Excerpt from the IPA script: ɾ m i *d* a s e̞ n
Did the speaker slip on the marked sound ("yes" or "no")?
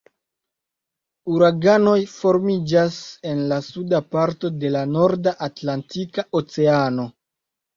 yes